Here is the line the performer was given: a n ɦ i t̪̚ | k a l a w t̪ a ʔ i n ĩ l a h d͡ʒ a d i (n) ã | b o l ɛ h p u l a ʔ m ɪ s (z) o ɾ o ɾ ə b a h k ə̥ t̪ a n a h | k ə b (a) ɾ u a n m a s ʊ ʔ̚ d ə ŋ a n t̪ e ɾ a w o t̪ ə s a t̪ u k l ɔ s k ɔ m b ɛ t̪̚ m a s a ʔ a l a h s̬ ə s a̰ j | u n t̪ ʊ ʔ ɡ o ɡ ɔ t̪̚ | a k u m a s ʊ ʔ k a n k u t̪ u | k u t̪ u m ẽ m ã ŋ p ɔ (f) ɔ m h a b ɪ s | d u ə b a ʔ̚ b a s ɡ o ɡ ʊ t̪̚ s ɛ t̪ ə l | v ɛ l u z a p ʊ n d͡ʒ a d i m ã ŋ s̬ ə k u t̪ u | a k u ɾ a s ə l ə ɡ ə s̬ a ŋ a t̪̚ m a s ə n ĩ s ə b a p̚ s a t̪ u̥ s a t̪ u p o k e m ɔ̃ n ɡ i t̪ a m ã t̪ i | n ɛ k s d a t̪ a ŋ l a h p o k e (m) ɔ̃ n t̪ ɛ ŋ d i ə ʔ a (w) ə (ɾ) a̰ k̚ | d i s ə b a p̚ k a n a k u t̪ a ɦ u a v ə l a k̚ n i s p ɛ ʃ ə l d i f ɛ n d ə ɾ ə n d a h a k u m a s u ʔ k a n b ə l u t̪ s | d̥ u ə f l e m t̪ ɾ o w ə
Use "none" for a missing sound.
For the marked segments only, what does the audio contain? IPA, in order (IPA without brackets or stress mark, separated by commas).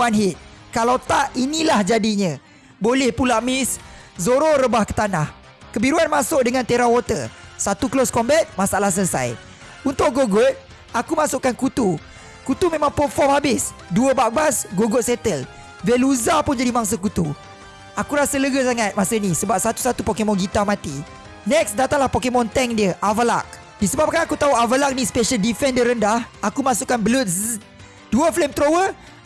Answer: ɲ, z, i, f, m, v, l